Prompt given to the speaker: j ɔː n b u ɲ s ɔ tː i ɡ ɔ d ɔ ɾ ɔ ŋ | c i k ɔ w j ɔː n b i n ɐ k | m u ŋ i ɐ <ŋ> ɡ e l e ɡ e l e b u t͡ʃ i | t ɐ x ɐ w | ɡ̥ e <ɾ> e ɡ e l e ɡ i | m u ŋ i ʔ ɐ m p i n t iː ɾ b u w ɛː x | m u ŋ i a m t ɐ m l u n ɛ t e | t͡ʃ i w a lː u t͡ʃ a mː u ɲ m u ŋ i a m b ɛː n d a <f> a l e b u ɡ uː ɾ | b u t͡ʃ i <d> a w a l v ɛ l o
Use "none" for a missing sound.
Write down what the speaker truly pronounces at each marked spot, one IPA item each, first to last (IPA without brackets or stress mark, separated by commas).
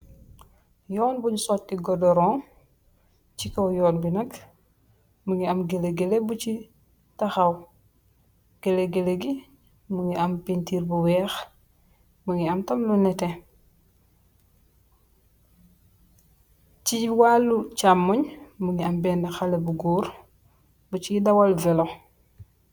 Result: m, l, x, d